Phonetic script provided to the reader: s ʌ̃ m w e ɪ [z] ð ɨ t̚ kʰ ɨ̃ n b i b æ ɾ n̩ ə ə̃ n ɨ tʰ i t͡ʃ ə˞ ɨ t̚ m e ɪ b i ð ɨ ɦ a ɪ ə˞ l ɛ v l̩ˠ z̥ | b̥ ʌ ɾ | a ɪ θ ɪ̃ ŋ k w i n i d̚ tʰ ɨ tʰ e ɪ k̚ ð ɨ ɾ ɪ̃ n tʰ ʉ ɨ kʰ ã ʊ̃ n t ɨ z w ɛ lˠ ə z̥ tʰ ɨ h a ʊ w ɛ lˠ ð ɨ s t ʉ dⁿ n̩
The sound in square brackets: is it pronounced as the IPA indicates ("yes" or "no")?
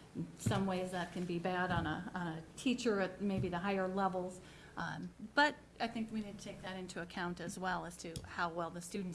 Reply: yes